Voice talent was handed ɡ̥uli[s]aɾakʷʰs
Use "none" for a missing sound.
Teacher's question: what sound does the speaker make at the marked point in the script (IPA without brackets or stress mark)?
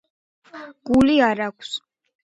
none